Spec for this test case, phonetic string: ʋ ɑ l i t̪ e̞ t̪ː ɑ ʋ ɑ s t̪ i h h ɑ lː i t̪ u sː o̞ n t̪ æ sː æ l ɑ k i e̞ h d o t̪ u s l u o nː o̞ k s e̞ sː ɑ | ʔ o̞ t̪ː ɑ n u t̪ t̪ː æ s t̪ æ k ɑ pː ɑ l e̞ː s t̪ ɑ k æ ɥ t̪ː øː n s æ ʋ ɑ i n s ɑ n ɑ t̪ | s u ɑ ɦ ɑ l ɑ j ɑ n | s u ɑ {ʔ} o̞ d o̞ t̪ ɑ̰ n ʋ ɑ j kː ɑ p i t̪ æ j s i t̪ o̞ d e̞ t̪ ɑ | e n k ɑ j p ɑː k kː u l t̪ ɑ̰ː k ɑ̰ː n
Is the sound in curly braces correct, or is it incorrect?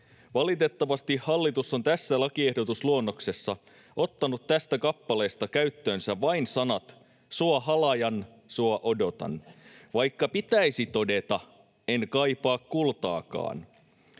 correct